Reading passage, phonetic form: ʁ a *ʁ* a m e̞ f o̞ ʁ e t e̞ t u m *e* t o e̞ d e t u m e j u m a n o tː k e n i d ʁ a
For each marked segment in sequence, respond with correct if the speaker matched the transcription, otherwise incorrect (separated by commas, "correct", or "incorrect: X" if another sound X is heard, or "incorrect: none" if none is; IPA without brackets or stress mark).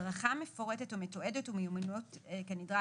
incorrect: χ, correct